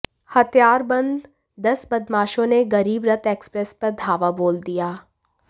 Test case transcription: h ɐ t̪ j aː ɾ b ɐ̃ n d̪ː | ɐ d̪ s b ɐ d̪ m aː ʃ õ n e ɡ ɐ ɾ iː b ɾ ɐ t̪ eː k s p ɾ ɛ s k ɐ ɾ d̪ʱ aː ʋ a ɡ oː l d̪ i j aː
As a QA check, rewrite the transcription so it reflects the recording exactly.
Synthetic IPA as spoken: h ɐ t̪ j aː ɾ b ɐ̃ n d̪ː | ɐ s b ɐ d̪ m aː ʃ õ n e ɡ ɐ ɾ iː b ɾ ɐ t̪ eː k s p ɾ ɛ s p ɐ ɾ d̪ʱ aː ʋ a b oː l d̪ i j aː